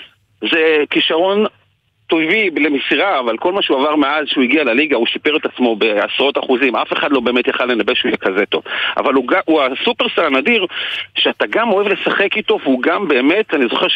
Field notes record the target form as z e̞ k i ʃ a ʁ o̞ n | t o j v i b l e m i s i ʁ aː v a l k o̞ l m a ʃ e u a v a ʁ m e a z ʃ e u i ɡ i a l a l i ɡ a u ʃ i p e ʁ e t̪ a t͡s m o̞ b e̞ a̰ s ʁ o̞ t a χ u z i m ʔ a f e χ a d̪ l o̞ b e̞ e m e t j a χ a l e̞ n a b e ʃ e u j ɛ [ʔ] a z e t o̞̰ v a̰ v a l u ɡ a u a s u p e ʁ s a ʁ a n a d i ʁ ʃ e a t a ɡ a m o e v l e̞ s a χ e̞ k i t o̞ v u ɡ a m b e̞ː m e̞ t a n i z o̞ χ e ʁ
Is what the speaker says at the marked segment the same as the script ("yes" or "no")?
no